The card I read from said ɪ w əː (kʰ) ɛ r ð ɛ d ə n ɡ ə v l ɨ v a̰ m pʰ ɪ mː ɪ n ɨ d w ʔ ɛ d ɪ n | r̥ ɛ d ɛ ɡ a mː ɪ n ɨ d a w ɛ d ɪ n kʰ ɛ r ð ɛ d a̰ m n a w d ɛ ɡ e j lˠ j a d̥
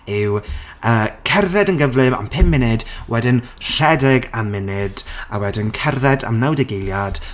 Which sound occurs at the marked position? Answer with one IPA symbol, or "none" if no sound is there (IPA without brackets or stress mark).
kʰ